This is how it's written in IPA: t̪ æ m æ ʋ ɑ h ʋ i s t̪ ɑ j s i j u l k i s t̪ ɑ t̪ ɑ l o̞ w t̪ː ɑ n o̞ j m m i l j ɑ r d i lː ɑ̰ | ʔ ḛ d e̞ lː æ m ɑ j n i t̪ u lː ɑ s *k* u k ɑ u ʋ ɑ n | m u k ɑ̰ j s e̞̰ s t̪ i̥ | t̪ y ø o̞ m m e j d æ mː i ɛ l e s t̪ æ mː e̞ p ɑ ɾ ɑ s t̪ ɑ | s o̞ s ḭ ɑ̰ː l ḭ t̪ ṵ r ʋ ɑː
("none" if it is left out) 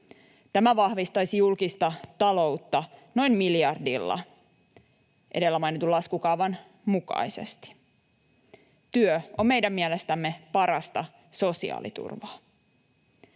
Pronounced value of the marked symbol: k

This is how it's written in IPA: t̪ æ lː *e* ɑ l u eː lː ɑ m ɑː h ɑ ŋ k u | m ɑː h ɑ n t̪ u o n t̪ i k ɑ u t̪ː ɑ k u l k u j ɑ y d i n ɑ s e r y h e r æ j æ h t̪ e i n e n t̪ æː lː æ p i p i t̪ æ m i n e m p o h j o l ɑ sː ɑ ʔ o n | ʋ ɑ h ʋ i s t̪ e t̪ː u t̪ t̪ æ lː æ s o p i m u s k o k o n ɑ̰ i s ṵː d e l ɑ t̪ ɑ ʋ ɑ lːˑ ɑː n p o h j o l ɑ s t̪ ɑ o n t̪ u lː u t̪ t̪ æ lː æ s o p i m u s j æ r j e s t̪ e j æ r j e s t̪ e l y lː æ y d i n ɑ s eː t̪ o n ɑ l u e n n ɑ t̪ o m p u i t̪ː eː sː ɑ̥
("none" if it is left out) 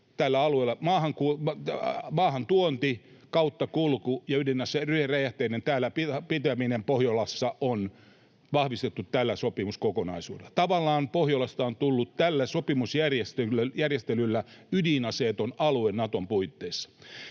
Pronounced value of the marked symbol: æ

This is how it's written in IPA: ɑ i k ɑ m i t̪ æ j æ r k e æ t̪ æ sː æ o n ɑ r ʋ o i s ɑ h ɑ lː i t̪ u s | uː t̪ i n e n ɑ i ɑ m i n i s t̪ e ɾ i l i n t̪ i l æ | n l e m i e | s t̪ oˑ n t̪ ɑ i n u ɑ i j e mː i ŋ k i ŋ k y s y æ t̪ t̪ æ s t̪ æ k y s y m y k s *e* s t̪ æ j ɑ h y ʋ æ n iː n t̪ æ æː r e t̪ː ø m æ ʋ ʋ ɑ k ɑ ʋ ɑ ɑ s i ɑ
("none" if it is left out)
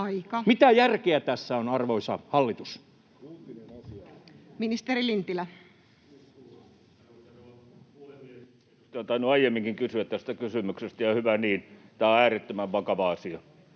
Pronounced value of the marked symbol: e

